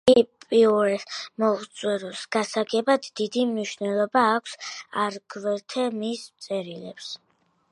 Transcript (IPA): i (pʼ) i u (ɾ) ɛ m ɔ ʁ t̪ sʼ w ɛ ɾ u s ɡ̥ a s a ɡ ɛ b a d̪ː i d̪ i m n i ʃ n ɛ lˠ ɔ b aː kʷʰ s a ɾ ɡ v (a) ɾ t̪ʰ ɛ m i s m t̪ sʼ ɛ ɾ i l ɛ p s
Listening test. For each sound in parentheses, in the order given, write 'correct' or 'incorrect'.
correct, correct, incorrect

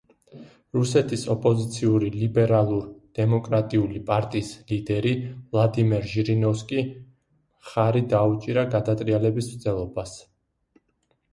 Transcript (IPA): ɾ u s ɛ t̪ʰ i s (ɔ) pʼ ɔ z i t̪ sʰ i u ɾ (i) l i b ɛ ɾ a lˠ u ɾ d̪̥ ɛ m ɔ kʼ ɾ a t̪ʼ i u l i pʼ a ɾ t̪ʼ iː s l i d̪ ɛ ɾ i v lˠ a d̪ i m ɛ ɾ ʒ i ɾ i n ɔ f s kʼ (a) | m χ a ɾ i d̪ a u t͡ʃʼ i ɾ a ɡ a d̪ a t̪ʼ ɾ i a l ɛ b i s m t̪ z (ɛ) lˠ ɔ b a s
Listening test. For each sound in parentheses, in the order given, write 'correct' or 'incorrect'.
correct, correct, incorrect, correct

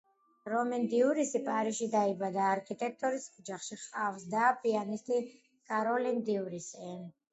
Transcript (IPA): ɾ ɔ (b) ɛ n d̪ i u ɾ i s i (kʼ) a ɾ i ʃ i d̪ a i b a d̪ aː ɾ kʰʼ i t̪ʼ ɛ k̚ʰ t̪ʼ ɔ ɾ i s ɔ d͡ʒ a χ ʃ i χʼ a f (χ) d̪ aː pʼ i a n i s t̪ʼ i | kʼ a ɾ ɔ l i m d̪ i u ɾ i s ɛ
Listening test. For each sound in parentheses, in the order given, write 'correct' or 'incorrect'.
incorrect, incorrect, incorrect

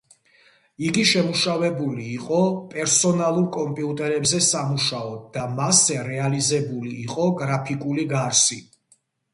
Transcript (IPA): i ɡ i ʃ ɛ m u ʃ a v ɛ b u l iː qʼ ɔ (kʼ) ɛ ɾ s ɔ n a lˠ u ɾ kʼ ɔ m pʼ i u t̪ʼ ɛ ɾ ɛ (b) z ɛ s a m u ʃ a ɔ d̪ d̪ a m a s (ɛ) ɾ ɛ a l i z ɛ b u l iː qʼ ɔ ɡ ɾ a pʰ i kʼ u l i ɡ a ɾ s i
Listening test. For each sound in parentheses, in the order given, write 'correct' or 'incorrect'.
incorrect, correct, correct

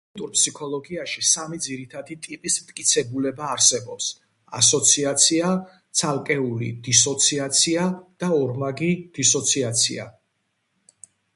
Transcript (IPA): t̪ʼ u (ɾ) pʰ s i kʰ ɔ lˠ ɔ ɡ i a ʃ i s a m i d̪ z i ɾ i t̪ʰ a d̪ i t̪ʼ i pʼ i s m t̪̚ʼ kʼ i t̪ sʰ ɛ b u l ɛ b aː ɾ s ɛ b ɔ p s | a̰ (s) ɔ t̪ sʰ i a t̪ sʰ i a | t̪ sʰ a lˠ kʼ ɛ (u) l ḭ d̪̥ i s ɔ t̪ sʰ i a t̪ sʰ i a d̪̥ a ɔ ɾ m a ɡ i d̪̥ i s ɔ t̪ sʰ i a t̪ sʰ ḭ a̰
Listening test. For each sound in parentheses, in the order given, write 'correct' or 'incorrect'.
correct, correct, correct

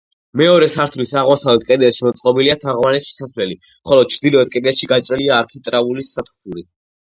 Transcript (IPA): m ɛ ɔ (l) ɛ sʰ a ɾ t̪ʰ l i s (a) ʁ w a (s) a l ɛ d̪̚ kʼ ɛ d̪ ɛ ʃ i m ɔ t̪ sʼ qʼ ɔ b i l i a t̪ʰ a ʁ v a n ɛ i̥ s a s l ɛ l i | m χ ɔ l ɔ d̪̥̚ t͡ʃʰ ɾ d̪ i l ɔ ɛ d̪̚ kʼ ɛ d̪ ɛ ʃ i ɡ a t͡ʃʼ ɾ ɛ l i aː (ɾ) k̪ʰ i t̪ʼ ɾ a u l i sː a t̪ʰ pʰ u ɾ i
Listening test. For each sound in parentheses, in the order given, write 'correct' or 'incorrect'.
incorrect, correct, correct, correct

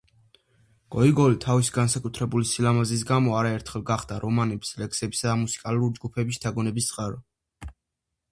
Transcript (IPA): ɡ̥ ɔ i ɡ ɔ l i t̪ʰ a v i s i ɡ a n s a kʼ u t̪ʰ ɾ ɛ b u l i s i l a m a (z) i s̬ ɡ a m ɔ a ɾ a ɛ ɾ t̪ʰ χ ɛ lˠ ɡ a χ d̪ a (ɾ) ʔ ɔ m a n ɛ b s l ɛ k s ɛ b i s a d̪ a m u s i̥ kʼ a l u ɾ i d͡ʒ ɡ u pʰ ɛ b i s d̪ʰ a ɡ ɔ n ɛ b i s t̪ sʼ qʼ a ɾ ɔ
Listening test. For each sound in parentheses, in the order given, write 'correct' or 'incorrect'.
correct, correct

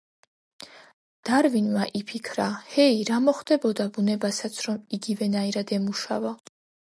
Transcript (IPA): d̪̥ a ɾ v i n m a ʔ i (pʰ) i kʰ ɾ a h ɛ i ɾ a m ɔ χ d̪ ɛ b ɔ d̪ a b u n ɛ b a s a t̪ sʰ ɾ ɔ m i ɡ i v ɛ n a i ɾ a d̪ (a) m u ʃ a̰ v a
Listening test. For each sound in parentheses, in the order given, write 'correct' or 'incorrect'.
correct, incorrect

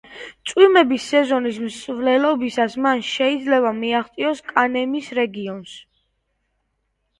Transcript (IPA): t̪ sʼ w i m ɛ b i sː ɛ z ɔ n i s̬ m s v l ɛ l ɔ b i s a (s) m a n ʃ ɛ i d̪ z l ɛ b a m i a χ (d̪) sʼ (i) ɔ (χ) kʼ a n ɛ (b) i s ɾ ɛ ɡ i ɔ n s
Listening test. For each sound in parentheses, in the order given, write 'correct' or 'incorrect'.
correct, incorrect, correct, incorrect, incorrect

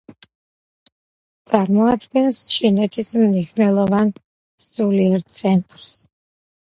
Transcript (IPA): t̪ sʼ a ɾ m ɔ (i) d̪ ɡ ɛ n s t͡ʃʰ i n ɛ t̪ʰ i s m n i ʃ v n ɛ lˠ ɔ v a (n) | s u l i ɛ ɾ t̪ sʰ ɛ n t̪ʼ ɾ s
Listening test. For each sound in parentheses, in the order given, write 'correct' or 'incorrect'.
incorrect, correct

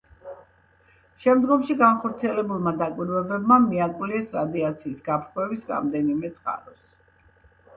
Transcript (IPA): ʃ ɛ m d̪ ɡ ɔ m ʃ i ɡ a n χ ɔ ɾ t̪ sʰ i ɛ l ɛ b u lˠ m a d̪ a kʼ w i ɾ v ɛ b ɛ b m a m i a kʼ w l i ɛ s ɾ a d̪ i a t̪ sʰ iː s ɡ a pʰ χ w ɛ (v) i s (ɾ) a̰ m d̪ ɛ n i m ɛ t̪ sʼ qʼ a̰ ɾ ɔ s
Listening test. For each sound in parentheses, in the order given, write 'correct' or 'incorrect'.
correct, correct

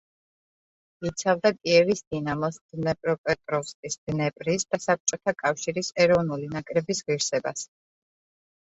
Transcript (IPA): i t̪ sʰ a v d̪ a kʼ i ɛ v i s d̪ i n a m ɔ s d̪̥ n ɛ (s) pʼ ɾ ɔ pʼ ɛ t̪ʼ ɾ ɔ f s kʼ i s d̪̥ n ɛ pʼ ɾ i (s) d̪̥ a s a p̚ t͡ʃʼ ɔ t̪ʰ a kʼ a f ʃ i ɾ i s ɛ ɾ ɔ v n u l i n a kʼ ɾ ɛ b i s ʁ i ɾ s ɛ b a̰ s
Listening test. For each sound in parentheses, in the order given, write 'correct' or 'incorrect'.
incorrect, correct

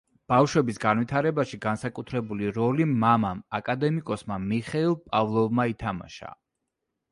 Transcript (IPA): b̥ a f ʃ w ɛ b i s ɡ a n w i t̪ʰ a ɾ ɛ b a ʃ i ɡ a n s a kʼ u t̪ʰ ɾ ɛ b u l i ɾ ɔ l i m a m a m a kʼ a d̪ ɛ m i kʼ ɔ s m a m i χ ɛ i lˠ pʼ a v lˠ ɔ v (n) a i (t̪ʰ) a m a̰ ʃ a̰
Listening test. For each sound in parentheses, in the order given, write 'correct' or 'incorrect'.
incorrect, correct

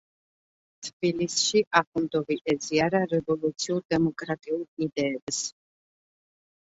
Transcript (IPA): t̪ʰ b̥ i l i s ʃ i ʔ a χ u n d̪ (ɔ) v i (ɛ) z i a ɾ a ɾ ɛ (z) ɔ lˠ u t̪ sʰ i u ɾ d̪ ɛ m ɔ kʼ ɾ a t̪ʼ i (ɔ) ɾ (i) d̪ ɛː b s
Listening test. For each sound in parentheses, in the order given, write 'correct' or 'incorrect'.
correct, correct, incorrect, incorrect, correct

